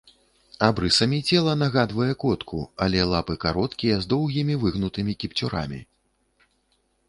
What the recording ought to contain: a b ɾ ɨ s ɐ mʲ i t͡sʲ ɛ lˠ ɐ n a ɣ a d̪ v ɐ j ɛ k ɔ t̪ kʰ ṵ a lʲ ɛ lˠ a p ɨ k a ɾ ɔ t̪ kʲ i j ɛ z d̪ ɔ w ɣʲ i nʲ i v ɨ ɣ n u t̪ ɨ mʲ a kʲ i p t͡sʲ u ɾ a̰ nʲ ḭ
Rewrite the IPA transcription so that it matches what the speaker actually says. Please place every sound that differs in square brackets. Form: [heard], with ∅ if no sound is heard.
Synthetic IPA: a b ɾ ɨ s ɐ mʲ i t͡sʲ ɛ lˠ ɐ n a ɣ a d̪ v ɐ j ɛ k ɔ t̪ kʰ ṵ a lʲ ɛ lˠ a p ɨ k a ɾ ɔ t̪ kʲ i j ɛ z d̪ ɔ w ɣʲ i [mʲ] i v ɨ ɣ n u t̪ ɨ mʲ [i] kʲ i p t͡sʲ u ɾ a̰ [mʲ] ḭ